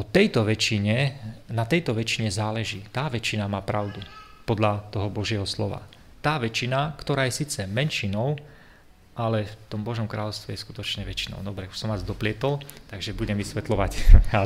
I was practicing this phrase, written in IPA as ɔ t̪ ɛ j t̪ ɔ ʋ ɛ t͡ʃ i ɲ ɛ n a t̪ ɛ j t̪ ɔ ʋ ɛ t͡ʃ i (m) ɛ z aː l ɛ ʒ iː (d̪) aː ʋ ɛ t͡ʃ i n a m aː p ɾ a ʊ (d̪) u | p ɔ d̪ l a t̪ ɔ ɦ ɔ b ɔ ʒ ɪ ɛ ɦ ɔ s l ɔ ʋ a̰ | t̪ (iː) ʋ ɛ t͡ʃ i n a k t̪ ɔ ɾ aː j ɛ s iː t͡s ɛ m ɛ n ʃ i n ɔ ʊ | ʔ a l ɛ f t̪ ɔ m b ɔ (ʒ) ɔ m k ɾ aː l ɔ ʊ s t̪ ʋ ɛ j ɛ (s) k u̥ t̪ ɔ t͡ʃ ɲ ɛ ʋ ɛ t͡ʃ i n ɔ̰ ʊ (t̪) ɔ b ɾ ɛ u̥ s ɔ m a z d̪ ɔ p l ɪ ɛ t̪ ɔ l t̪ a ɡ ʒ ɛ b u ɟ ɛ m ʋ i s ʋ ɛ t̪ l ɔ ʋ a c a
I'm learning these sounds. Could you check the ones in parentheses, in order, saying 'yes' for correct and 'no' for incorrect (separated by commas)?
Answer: no, no, yes, no, yes, yes, no